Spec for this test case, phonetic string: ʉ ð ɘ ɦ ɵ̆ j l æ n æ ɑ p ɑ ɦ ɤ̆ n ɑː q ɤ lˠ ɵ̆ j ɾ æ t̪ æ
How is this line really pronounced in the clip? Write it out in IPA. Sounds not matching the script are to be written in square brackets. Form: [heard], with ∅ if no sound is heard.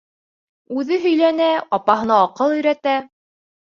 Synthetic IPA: ʉ ð ɘ ɦ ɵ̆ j l æ n æ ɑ p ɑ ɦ ɤ̆ n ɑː q ɤ lˠ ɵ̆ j ɾ æ t̪ æ